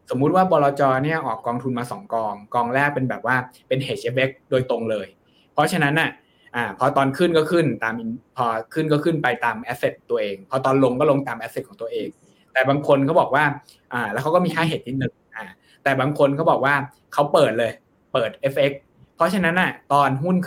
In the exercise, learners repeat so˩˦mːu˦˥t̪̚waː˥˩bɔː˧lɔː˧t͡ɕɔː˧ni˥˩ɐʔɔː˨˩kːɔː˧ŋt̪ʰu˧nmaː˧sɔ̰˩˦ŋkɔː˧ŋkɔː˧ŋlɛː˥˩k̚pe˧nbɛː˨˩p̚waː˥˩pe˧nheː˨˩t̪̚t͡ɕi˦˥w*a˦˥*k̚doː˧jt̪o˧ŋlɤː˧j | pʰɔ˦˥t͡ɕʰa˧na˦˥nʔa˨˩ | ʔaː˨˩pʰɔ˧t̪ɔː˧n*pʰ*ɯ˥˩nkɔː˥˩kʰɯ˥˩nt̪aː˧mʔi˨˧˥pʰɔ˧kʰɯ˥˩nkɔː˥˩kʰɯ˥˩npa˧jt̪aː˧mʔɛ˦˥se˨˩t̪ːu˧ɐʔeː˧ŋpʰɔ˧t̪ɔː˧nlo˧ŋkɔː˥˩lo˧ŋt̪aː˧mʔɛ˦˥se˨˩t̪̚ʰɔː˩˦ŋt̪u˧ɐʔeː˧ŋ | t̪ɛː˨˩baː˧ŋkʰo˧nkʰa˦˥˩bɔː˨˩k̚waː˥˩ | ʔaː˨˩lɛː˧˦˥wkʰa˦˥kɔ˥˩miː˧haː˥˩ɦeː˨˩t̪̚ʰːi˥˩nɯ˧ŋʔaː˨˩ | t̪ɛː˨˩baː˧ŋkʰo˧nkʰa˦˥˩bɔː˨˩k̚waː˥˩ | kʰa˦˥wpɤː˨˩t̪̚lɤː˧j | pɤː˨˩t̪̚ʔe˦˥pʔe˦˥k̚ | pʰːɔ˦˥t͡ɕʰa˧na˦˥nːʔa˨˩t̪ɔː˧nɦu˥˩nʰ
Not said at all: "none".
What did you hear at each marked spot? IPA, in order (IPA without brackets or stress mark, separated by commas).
e˦˥, kʰ